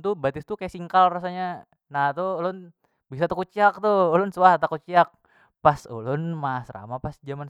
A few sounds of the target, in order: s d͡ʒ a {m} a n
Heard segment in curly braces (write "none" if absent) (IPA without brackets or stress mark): m